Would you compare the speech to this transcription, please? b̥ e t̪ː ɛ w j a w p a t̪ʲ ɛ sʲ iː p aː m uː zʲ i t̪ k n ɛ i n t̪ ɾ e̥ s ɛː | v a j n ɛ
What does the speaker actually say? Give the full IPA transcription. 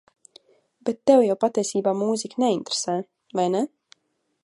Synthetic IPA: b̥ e t̪ː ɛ w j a w p a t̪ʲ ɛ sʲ iː b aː m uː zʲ i k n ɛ i n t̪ ɾ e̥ s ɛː | v a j n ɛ